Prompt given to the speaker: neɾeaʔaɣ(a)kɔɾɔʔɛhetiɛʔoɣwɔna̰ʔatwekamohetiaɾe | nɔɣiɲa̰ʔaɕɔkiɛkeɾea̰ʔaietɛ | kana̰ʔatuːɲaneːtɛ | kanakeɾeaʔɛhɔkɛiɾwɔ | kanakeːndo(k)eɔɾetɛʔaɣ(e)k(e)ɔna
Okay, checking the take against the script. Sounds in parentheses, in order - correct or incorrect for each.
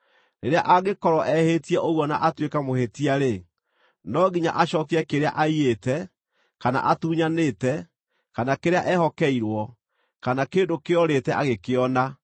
incorrect, correct, correct, correct

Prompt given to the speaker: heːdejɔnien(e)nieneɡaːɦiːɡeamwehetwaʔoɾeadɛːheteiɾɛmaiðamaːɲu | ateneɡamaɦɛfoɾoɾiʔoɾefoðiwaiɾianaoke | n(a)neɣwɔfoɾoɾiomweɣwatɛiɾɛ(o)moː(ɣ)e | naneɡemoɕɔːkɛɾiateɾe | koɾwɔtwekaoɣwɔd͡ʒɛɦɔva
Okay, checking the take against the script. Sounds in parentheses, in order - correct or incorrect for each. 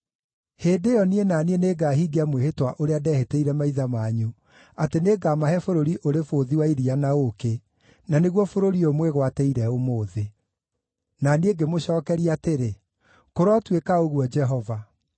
incorrect, correct, correct, incorrect

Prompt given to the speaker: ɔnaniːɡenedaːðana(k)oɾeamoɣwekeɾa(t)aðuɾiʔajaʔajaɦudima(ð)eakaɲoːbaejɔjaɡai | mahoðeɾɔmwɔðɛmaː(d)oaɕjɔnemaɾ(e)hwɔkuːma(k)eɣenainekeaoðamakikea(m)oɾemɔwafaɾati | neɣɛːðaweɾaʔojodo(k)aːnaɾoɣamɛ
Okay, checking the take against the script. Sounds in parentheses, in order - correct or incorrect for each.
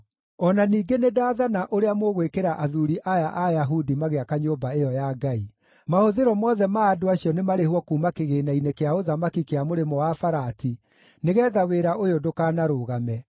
incorrect, incorrect, incorrect, correct, correct, correct, correct, correct

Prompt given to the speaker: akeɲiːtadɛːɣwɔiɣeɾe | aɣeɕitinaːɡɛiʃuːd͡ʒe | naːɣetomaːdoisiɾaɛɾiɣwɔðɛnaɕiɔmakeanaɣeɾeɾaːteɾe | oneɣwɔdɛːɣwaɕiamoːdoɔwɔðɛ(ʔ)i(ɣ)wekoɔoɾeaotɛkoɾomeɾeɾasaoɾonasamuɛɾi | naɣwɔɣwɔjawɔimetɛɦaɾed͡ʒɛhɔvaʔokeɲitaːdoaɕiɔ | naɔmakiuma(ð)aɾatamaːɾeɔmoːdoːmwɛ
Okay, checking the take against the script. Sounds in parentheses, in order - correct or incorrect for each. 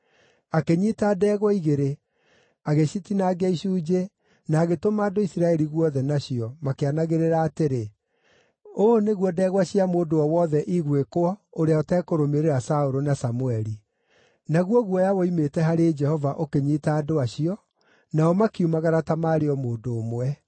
correct, correct, incorrect

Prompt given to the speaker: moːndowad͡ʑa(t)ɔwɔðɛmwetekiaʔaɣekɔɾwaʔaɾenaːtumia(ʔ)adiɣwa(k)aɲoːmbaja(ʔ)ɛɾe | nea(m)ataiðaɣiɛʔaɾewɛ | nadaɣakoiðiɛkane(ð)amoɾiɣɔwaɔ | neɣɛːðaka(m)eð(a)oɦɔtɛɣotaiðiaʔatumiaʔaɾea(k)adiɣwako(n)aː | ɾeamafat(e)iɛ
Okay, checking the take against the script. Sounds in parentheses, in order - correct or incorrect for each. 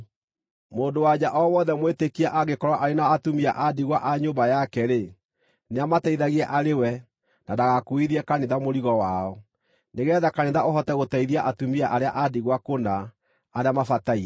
incorrect, correct, incorrect, incorrect, correct, correct, incorrect, correct, incorrect, correct, incorrect

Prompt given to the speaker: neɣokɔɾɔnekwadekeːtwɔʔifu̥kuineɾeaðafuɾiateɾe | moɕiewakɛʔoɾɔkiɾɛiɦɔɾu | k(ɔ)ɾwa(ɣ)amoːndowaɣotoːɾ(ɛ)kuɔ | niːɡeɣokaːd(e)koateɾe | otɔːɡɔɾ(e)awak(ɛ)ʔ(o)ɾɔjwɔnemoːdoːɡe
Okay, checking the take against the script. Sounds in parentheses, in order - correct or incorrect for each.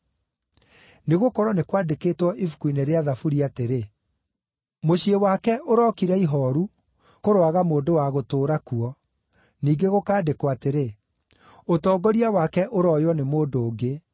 incorrect, correct, incorrect, correct, incorrect, correct, correct

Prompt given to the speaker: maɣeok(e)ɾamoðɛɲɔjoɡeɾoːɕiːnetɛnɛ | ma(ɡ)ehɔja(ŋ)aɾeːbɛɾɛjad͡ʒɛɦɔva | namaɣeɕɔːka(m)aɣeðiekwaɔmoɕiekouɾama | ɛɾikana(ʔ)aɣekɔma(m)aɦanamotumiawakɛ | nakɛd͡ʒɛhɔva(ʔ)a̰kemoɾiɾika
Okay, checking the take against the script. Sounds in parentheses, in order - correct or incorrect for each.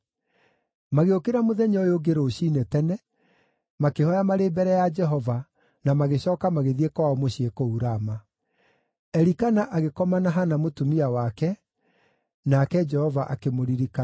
correct, incorrect, incorrect, correct, correct, incorrect, correct

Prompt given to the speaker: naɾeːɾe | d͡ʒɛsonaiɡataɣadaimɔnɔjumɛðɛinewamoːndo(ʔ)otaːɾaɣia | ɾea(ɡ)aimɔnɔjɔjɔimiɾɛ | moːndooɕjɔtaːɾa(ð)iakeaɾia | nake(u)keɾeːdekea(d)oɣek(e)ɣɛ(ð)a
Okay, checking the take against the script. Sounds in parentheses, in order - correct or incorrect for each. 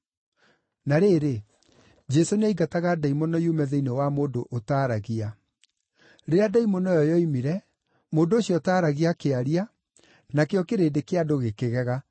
correct, incorrect, incorrect, incorrect, correct, correct, incorrect

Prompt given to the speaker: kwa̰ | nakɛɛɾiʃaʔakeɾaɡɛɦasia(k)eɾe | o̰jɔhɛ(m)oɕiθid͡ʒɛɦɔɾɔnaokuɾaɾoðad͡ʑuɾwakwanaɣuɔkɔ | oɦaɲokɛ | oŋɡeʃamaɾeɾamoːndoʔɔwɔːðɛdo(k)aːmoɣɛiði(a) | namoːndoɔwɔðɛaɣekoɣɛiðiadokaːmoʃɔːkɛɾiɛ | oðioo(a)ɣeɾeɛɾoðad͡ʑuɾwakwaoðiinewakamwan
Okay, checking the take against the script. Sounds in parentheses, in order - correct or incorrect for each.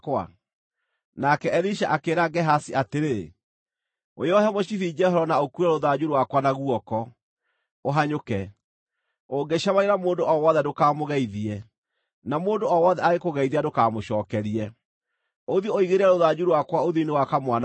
incorrect, correct, correct, incorrect, incorrect

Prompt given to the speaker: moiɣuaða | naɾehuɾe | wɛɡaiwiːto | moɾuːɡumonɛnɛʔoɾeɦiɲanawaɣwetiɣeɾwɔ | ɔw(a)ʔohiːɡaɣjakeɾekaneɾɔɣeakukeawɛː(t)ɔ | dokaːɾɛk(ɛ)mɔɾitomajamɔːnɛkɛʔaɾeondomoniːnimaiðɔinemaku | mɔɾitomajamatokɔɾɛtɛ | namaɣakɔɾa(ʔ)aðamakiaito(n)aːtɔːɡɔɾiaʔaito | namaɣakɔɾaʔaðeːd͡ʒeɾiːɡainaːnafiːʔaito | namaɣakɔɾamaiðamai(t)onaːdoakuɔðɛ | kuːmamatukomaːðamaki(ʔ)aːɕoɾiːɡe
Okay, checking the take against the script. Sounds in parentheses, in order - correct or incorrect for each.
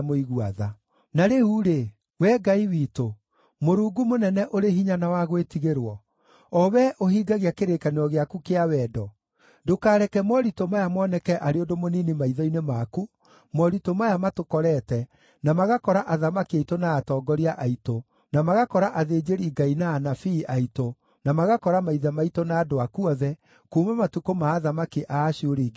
incorrect, incorrect, correct, correct, correct, correct, correct

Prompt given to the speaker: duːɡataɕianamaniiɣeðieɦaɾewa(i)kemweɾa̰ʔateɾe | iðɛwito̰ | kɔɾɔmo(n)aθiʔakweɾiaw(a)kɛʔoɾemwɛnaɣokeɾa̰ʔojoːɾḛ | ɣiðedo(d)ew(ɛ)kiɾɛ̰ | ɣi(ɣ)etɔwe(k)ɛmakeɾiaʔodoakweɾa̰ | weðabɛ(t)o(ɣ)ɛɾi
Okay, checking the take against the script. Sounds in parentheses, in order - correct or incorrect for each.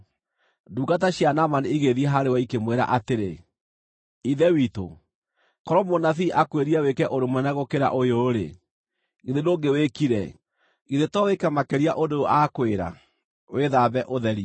correct, correct, incorrect, incorrect, incorrect, incorrect, correct, incorrect, incorrect

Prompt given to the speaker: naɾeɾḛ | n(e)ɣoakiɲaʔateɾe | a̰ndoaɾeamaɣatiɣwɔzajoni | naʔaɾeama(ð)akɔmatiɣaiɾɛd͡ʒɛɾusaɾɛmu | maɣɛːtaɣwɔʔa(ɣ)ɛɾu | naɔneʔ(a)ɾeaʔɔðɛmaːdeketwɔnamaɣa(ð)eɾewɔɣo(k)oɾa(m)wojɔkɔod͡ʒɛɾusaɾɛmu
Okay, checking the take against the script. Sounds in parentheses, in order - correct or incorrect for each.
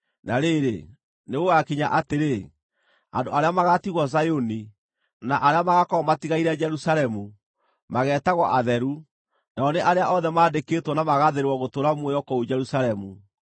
correct, incorrect, incorrect, correct, correct, incorrect, correct

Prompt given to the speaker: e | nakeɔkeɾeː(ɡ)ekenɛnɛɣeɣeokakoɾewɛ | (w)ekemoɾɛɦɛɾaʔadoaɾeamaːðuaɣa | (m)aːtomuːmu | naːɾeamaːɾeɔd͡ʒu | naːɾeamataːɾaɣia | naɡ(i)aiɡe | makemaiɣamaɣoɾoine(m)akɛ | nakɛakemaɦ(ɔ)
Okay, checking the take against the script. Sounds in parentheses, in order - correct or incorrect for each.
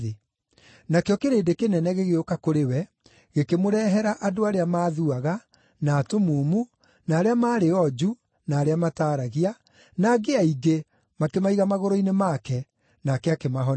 incorrect, incorrect, incorrect, incorrect, correct, correct

